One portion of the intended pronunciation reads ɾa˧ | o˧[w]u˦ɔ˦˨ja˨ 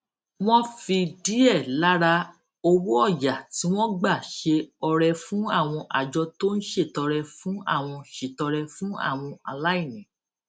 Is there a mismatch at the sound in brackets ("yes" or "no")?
no